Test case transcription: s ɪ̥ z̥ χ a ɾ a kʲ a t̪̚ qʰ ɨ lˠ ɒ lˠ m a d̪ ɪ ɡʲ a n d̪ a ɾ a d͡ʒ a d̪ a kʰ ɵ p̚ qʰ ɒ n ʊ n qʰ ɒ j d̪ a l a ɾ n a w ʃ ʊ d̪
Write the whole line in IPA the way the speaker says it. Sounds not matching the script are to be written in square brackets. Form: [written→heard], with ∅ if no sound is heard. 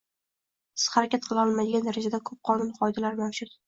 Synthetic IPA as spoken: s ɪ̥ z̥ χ a ɾ a kʲ a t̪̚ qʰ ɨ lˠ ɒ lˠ m a d̪ ɪ ɡʲ a n d̪ a ɾ a d͡ʒ a d̪ a kʰ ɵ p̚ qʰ ɒ n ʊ n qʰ ɒ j d̪ a l a ɾ [n→m] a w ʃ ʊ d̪